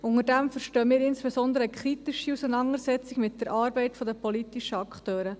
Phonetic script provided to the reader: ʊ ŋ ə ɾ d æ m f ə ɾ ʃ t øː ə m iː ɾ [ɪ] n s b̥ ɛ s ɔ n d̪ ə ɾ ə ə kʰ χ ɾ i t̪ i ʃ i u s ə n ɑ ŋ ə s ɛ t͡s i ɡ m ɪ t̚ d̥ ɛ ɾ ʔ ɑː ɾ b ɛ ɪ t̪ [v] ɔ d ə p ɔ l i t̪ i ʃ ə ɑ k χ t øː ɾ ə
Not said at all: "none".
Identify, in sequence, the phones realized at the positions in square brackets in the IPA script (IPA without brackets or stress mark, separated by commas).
ɪ, f